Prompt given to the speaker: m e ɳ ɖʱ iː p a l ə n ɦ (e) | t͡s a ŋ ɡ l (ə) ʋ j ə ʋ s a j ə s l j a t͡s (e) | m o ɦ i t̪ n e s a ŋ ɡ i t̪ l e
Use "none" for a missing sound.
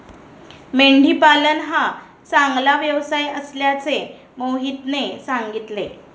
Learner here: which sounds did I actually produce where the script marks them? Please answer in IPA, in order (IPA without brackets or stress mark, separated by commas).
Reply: a, a, e